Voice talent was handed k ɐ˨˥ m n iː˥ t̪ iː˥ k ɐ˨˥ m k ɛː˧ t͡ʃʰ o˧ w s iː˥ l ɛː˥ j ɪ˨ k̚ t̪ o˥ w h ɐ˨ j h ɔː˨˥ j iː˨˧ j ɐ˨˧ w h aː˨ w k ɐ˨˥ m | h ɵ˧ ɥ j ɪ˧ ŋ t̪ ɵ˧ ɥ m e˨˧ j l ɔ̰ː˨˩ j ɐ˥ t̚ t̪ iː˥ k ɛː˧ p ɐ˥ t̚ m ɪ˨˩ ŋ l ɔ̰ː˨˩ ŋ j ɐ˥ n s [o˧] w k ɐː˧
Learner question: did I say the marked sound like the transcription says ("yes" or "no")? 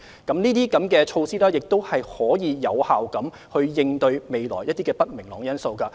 yes